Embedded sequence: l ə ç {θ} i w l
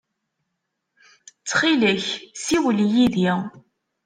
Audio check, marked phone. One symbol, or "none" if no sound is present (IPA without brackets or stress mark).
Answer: s